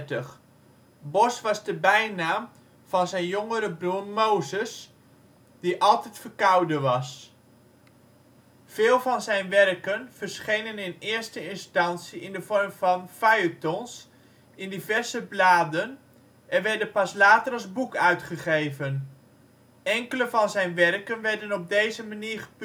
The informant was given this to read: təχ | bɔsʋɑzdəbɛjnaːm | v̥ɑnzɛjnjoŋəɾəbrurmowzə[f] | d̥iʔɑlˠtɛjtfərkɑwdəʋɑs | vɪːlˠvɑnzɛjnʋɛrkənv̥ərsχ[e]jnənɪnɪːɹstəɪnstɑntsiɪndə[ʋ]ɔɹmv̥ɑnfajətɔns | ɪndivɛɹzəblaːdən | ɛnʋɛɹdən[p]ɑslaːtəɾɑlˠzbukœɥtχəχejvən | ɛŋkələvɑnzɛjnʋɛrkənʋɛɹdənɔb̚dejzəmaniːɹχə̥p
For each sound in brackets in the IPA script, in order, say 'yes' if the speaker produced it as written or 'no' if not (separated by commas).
no, yes, no, yes